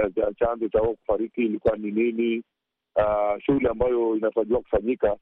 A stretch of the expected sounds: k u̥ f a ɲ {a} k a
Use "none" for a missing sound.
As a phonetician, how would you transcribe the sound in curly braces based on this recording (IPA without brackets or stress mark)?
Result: i